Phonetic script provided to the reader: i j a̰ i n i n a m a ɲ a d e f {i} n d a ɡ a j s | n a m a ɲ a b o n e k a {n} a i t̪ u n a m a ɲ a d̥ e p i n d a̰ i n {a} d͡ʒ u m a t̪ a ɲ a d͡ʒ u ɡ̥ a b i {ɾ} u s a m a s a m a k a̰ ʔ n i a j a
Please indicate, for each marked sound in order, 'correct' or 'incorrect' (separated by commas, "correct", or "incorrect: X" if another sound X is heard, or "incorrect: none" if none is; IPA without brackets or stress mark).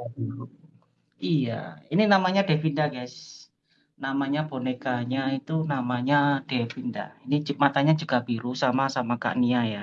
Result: correct, incorrect: ɲ, incorrect: i, correct